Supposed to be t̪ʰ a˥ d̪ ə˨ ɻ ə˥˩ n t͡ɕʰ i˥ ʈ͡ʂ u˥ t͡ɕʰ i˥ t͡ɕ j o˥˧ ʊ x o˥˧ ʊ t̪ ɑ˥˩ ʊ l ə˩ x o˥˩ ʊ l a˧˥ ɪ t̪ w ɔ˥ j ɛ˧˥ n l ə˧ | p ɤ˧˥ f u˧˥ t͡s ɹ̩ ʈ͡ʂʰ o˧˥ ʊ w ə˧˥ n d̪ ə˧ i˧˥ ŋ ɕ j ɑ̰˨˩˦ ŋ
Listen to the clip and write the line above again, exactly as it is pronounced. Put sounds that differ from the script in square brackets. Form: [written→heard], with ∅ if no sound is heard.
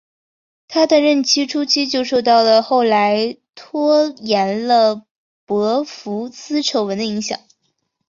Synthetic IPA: t̪ʰ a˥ d̪ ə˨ ɻ ə˥˩ n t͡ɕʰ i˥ [ʈ͡ʂ→ʈ͡ʂʰ] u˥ t͡ɕʰ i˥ t͡ɕ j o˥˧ ʊ [x→ʂ] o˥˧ ʊ t̪ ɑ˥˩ ʊ l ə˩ x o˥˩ ʊ l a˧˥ ɪ [t̪→t̪ʰ] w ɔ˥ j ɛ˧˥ n l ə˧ | p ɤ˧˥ f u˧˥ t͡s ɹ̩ ʈ͡ʂʰ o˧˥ ʊ w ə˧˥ n d̪ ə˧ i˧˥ ŋ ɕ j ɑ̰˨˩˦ ŋ